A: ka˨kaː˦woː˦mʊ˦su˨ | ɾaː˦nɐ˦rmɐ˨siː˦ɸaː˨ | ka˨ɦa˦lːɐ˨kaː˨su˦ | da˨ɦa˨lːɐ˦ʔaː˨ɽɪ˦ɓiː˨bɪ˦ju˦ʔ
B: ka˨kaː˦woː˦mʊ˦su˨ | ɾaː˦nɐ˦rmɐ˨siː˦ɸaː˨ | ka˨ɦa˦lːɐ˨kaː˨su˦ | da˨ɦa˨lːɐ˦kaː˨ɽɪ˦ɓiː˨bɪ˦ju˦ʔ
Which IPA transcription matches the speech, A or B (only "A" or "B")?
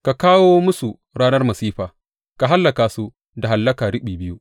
B